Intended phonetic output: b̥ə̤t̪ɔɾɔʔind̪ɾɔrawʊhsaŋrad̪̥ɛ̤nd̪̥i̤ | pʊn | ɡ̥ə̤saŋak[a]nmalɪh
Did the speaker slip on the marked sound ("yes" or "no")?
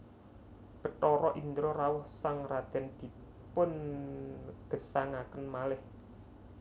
yes